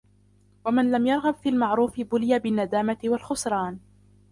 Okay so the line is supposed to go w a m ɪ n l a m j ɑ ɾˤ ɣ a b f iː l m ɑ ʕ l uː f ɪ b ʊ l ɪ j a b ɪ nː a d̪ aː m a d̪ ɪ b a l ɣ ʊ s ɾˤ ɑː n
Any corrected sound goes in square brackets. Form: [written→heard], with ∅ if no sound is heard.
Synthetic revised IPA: w a m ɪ n l a m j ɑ ɾˤ ɣ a b f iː l m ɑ ʕ [l→ɾ] uː f ɪ b ʊ l ɪ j a b ɪ nː a d̪ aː m a [d̪→t̪] ɪ [b→w] a l [ɣ→x] ʊ s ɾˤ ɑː n